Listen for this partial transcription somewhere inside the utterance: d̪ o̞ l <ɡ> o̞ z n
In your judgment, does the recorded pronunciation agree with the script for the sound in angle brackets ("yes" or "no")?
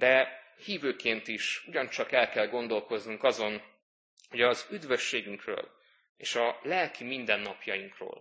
no